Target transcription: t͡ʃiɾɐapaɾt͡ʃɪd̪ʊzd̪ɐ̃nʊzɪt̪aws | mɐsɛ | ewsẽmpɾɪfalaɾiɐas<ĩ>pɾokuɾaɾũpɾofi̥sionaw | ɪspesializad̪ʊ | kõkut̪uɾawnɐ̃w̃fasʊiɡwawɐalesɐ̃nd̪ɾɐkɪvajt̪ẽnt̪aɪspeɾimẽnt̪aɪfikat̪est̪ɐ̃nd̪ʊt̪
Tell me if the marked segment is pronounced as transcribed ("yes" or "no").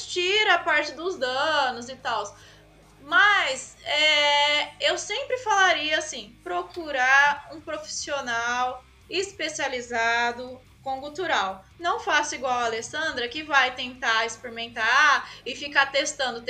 yes